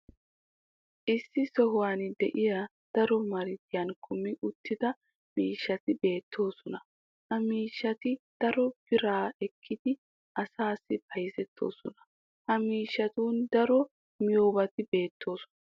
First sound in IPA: ʔ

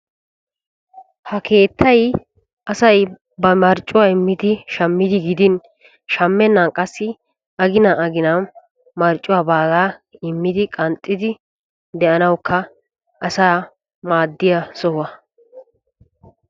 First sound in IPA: h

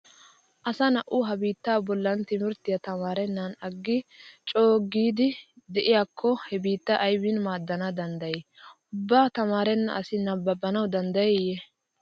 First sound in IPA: ʔ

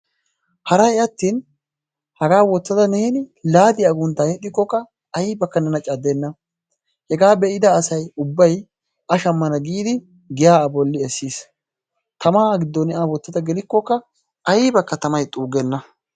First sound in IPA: h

